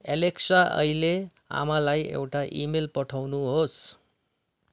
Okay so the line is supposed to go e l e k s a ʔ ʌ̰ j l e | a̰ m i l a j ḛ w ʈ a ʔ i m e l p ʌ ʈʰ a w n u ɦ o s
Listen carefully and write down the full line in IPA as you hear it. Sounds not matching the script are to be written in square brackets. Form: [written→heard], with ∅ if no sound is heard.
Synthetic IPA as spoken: e l e k s a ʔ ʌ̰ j l e | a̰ m [i→a] l a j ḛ w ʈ a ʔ i m e l p ʌ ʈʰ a w n u ɦ o s